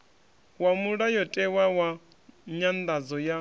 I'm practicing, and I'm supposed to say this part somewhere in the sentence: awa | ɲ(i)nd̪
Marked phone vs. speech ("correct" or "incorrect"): incorrect